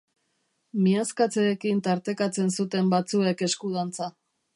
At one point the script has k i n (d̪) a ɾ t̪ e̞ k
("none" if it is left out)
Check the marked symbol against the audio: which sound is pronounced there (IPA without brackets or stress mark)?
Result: t̪